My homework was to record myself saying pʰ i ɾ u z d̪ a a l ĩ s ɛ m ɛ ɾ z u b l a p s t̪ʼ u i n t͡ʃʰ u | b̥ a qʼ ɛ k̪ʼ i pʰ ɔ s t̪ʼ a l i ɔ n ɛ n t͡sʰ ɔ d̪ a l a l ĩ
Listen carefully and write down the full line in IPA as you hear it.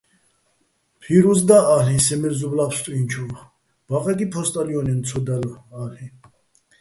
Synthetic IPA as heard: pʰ i ɾ u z d̪ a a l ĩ s ɛ m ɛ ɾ z u b l a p s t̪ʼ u i n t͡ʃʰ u | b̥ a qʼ ɛ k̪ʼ i pʰ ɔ s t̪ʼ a l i ɔ n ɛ n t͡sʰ ɔ d̪ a l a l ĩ